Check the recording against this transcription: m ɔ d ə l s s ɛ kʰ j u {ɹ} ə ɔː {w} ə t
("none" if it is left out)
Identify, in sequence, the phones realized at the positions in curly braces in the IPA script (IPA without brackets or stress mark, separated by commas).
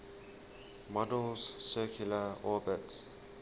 l, b